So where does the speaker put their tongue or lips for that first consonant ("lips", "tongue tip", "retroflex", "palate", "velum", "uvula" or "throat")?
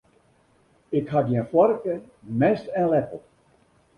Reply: velum